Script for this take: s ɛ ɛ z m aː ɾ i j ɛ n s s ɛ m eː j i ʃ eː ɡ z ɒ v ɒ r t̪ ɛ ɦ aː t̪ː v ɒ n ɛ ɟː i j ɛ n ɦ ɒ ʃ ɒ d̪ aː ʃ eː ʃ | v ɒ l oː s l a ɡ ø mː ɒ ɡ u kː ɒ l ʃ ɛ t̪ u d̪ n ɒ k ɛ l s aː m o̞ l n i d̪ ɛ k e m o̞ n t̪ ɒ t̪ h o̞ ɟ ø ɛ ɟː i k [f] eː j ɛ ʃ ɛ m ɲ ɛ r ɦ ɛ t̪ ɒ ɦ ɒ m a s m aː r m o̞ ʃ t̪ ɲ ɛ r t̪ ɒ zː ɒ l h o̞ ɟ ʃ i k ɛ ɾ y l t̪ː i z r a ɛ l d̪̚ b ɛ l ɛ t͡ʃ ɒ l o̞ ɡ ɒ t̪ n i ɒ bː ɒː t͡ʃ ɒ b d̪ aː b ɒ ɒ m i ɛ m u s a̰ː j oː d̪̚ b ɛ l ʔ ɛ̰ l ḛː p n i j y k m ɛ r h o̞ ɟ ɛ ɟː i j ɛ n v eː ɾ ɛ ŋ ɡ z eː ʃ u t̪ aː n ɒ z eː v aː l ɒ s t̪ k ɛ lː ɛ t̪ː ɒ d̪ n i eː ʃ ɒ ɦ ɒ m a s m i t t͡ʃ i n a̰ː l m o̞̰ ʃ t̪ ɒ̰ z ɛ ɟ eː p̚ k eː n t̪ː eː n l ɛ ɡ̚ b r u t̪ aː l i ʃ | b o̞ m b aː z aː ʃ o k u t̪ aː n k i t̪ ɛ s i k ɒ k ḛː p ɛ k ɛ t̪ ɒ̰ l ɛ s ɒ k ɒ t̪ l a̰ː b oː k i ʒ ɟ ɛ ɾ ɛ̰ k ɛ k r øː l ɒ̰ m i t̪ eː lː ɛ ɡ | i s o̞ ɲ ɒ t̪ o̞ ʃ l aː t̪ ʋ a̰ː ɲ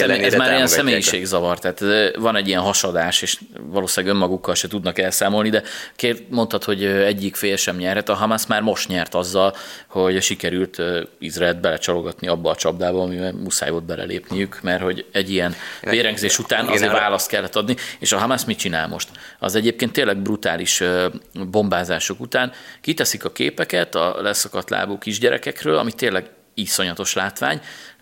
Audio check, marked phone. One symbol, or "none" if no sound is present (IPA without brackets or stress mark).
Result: f